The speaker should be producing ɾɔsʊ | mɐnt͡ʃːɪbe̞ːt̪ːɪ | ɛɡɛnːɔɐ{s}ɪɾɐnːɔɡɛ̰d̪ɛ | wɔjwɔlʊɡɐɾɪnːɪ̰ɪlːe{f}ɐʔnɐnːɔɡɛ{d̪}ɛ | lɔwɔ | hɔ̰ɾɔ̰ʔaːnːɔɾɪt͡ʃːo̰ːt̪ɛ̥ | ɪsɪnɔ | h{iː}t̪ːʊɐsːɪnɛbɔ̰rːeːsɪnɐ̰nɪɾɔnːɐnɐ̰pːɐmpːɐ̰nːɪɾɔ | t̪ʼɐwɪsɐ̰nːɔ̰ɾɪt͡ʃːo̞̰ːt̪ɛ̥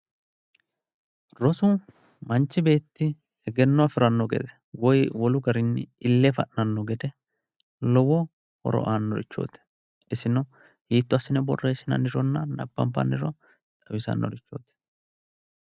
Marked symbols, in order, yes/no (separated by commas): no, yes, yes, yes